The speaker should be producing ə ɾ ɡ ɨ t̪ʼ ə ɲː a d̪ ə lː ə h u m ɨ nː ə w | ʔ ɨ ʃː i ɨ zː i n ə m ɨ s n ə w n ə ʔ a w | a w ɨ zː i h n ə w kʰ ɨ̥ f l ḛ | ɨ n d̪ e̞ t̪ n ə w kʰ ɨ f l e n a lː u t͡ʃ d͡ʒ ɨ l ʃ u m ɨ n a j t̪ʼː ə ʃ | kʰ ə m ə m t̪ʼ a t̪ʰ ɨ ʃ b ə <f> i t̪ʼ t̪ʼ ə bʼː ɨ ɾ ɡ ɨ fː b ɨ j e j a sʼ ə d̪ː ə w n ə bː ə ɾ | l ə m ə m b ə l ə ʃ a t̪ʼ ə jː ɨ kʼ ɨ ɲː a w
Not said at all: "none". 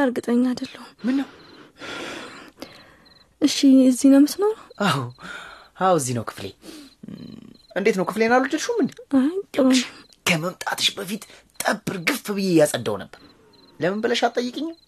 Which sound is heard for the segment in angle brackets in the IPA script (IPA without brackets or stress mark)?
f